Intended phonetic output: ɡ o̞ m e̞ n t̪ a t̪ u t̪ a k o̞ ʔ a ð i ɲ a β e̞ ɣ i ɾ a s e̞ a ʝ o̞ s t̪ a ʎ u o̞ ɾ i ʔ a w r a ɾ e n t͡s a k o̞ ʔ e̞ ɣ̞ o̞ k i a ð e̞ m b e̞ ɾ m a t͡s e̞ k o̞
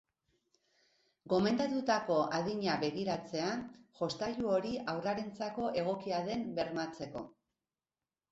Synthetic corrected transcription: ɡ o̞ m e̞ n d̪ a t̪ u t̪ a k o̞ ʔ a ð i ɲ a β e̞ ɣ i ɾ a t͡s e̞ a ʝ o̞ s t̪ a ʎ u o̞ ɾ i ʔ a w r a ɾ e n t͡s a k o̞ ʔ e̞ ɣ̞ o̞ k i a ð e̞ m b e̞ ɾ m a t͡s e̞ k o̞